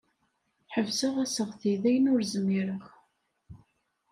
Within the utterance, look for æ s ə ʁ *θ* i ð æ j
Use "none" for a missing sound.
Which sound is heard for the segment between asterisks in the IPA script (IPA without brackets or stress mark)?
θ